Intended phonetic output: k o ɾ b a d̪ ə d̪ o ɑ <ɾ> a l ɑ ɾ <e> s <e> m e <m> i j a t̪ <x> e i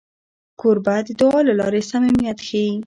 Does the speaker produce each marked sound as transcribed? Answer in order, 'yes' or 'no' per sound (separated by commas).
no, yes, no, yes, yes